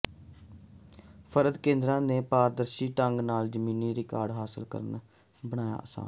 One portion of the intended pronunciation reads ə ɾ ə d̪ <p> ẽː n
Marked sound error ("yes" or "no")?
yes